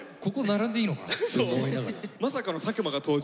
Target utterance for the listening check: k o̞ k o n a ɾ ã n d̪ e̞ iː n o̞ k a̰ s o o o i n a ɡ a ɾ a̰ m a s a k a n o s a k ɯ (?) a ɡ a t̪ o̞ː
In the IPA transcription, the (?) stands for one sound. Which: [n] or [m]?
m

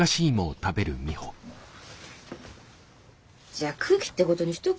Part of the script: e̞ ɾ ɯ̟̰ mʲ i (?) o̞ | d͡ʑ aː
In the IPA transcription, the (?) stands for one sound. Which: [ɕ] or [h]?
h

